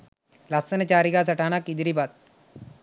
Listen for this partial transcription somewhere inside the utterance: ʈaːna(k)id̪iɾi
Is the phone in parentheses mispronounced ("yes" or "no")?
no